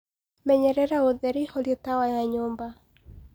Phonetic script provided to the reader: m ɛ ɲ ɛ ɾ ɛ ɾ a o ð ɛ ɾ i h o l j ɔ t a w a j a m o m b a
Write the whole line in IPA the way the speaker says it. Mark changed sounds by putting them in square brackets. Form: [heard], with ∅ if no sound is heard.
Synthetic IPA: m ɛ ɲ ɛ ɾ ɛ ɾ a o ð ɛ ɾ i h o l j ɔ t a w a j a [ɲ] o m b a